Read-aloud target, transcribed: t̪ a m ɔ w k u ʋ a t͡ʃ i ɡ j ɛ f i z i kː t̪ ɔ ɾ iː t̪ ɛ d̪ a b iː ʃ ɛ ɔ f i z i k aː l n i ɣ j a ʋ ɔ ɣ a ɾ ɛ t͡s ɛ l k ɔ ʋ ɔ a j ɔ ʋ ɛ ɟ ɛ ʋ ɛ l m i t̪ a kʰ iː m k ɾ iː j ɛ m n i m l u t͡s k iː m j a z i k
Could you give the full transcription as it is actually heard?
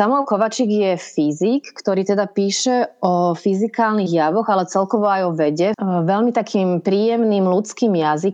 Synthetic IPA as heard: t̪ a m ɔ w k ɔ ʋ a t͡ʃ i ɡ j ɛ f i z i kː t̪ ɔ ɾ iː t̪ ɛ d̪ a p iː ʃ ɛ ɔ f i z i k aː l n i ɣ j a ʋ ɔ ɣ a l ɛ t͡s ɛ l k ɔ ʋ ɔ a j ɔ ʋ ɛ ɟ ɛ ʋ ɛ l m i t̪ a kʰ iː m p ɾ iː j ɛ m n i m l u t͡s k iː m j a z i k